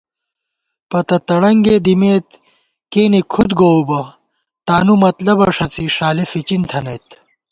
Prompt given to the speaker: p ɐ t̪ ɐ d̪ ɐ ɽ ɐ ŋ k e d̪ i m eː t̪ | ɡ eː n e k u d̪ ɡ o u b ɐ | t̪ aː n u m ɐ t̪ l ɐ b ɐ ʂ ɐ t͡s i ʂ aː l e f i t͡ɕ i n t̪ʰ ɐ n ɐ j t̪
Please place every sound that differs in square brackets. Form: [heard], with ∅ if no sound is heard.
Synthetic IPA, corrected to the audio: p ɐ t̪ ɐ [t̪] ɐ ɽ ɐ ŋ [ɡ] e d̪ i m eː t̪ | [k] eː n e [kʰ] u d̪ ɡ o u b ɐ | t̪ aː n u m ɐ t̪ l ɐ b ɐ ʂ ɐ t͡s i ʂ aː l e f i t͡ɕ i n t̪ʰ ɐ n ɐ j t̪